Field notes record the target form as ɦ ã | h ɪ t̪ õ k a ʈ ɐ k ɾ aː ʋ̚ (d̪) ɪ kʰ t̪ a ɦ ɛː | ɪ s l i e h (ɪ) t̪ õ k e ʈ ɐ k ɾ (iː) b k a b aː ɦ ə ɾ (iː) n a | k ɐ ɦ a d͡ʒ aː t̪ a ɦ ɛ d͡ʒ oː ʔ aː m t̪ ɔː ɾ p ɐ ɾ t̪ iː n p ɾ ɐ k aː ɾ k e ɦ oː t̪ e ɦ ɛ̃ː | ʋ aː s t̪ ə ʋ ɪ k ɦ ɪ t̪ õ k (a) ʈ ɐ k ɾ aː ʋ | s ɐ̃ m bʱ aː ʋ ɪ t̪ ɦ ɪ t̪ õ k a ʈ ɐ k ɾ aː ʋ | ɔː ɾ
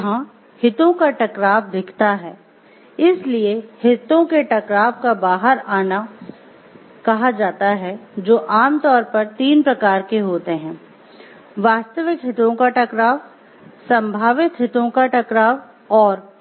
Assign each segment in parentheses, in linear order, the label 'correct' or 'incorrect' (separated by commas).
correct, correct, incorrect, incorrect, correct